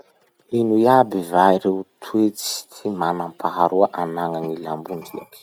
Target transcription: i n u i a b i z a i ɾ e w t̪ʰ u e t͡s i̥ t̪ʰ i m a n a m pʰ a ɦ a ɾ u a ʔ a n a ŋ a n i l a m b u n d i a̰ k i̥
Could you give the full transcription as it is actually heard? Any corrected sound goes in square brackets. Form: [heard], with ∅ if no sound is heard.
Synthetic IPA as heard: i n u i a b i [v] a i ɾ e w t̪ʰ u e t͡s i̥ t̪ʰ i m a n a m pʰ a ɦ a ɾ u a ʔ a n a ŋ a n i l a m b u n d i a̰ k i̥